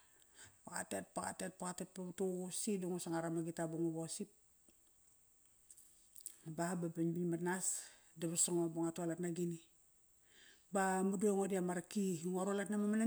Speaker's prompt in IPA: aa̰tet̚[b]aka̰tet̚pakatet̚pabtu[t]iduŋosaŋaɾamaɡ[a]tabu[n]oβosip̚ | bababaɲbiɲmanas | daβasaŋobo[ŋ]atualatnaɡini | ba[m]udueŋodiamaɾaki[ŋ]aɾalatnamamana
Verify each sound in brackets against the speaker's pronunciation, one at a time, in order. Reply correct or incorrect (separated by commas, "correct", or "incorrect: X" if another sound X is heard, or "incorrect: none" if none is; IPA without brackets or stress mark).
incorrect: p, incorrect: s, incorrect: i, incorrect: ŋ, correct, correct, correct